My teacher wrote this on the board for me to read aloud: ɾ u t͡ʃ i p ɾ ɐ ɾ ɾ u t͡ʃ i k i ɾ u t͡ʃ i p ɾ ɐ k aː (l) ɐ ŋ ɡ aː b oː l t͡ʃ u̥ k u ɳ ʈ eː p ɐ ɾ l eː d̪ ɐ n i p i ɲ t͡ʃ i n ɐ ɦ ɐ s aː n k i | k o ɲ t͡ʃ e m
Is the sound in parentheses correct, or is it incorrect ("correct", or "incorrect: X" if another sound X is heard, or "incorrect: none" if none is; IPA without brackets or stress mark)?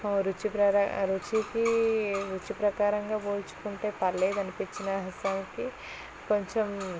incorrect: ɾ